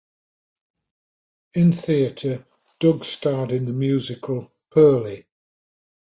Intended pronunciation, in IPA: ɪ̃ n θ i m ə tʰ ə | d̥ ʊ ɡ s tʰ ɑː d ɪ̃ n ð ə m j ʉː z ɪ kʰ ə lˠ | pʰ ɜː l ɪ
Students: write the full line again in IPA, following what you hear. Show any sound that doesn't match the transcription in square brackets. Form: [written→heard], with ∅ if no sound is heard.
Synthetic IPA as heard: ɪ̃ n θ i [m→∅] ə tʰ ə | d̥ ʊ ɡ s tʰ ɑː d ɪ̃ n ð ə m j ʉː z ɪ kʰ ə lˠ | pʰ ɜː l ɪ

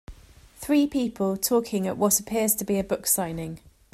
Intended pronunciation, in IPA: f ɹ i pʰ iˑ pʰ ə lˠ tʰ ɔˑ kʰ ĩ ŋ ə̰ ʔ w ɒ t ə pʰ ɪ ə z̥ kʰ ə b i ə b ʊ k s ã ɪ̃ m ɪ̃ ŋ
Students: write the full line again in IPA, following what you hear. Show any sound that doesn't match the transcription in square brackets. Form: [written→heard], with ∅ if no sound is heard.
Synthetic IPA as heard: [f→θ] ɹ [i→iː] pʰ iˑ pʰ ə lˠ tʰ ɔˑ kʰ [ĩ→ɪ̃] ŋ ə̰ ʔ w ɒ t ə pʰ ɪ ə z̥ [kʰ→tʰ] ə b i ə b ʊ k s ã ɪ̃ [m→n] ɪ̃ ŋ

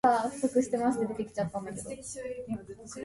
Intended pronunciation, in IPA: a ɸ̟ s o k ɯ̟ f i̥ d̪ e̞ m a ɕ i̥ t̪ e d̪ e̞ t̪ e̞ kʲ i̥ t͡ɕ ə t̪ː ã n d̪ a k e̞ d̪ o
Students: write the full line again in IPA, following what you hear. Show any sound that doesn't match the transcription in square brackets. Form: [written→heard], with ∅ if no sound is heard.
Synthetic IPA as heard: a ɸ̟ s o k ɯ̟ [f→ɕ] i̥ [d̪→t̪] e̞ m a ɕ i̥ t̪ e d̪ e̞ t̪ e̞ kʲ i̥ t͡ɕ [ə→a] t̪ː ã n d̪ a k e̞ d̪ o

